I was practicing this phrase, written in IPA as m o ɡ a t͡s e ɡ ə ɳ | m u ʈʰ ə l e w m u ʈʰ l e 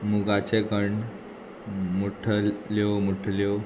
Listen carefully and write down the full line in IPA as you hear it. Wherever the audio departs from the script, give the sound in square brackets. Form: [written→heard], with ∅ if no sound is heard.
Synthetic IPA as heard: m [o→u] ɡ a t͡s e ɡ ə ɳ | m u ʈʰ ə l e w m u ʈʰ l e